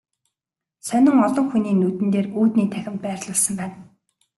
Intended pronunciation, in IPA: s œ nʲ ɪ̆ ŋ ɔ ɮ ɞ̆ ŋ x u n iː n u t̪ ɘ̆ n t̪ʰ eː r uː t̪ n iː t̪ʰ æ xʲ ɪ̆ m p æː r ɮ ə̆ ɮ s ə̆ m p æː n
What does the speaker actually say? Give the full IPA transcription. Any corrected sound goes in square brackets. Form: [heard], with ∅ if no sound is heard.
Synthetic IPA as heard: s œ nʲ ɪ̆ ŋ ɔ ɮ ɞ̆ ŋ x u n iː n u t̪ ɘ̆ n [t̪] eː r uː t̪ n iː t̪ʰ æ xʲ ɪ̆ m p æː r ɮ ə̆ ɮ s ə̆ m p æː n